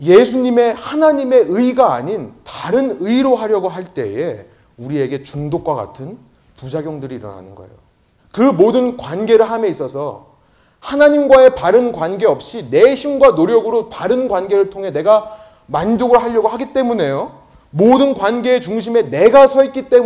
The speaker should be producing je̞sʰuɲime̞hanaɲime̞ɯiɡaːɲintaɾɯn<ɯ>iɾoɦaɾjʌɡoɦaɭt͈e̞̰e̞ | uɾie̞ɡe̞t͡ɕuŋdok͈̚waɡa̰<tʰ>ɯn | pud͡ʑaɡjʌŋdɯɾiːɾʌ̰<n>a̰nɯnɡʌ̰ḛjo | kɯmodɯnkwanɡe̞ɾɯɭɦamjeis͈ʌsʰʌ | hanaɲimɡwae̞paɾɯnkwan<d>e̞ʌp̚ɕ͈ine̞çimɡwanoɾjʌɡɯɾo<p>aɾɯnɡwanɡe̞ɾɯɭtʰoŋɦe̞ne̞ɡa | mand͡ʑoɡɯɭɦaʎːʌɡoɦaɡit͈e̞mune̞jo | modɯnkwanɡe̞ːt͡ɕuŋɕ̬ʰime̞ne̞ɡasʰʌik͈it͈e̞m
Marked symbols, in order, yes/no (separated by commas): yes, yes, yes, no, yes